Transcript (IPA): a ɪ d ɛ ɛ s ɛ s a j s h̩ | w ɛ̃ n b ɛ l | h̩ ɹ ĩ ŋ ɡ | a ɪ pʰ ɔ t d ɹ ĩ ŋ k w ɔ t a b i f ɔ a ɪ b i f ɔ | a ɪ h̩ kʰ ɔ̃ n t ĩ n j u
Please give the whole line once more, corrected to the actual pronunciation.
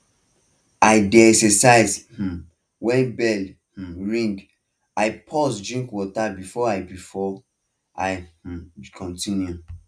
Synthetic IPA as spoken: a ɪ d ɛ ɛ s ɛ s a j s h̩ | w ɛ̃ n b ɛ l | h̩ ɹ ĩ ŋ ɡ | a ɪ pʰ ɔ s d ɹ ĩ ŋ k w ɔ t a b i f ɔ a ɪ b i f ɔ | a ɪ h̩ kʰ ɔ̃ n t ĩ n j u